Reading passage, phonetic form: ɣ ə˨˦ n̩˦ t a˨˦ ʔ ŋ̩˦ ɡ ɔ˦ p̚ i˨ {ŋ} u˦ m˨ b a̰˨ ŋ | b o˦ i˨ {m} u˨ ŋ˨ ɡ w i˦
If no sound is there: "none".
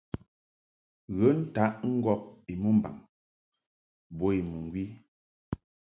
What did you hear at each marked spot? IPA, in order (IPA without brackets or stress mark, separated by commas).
m, m